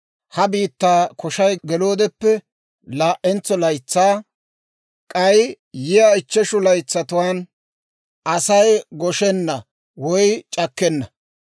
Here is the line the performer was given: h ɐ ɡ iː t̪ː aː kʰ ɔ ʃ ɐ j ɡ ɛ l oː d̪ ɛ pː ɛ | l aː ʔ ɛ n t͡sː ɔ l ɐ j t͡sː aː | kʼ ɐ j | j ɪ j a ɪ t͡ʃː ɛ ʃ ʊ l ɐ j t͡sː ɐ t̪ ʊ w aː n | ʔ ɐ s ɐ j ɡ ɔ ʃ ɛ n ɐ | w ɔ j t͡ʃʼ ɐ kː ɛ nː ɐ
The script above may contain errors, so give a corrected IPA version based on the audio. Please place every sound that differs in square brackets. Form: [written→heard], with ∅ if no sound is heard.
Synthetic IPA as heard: h ɐ [ɡ→b] iː t̪ː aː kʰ ɔ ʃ ɐ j ɡ ɛ l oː d̪ ɛ pː ɛ | l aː ʔ ɛ n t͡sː ɔ l ɐ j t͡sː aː | kʼ ɐ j | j ɪ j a ɪ t͡ʃː ɛ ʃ ʊ l ɐ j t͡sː ɐ t̪ ʊ w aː n | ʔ ɐ s ɐ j ɡ ɔ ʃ ɛ [n→nː] ɐ | w ɔ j t͡ʃʼ ɐ kː ɛ nː ɐ